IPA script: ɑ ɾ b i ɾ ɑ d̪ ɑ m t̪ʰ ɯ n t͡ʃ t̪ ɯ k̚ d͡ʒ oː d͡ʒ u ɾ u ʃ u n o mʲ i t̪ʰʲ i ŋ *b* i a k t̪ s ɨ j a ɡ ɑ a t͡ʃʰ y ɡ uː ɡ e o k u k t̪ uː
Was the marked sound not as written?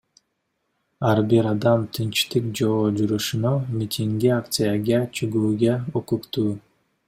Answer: yes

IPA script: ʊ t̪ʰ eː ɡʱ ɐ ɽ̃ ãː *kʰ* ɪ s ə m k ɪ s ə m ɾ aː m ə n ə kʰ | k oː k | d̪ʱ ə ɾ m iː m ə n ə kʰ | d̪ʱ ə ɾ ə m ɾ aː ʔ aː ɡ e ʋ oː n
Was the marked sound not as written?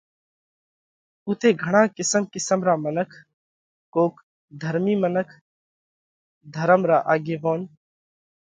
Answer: yes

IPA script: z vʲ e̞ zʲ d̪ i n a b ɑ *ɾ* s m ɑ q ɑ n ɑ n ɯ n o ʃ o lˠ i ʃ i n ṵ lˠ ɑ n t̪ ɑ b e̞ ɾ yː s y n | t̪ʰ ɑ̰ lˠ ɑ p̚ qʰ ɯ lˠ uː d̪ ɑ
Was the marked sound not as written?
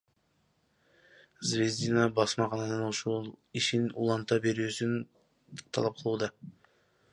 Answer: yes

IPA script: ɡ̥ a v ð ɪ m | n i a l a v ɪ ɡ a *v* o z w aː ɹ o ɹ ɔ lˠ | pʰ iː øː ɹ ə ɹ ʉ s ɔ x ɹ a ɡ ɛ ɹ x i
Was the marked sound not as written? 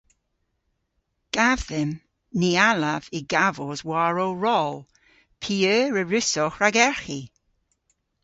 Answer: no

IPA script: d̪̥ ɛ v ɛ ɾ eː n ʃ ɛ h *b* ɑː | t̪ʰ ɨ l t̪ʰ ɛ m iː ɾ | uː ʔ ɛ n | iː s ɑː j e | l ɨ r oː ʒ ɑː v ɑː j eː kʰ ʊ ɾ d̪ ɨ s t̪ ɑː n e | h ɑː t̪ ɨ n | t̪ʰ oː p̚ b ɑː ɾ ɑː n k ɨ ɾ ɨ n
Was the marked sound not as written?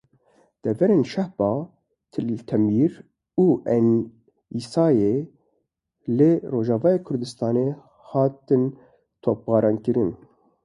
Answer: no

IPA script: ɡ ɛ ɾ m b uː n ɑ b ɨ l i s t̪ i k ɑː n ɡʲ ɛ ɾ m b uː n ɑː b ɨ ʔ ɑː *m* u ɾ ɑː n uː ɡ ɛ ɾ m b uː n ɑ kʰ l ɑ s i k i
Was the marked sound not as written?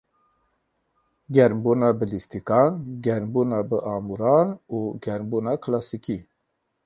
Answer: no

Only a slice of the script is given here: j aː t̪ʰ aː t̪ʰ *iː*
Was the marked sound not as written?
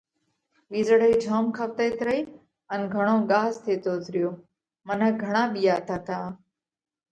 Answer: yes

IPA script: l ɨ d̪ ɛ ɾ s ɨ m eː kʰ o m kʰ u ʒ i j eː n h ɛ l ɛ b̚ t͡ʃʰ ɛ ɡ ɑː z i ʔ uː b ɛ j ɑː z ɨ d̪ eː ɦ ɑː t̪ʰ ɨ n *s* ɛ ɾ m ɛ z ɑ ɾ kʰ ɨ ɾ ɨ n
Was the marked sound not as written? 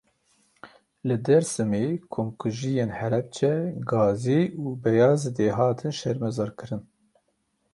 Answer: yes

